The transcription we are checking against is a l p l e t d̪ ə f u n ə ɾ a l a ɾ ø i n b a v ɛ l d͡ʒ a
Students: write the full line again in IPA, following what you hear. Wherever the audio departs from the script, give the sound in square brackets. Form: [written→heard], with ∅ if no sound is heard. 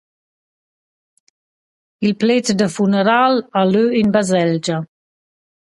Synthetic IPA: [a→i] l p l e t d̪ ə f u n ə ɾ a l a [ɾ→l] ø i n b a [v→z] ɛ l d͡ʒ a